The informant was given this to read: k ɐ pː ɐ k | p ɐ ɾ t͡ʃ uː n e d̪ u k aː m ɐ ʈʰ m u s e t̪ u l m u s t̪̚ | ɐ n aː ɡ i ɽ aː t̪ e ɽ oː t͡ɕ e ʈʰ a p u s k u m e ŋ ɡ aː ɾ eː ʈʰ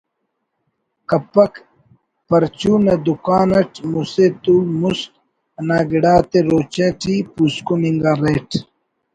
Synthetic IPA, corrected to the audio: k ɐ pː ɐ k | p ɐ ɾ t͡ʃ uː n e d̪ u k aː n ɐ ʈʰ m u s e t̪ u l m u s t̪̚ | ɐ n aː ɡ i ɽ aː t̪ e ɾ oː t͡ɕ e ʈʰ i p u s k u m i ŋ ɡ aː ɾ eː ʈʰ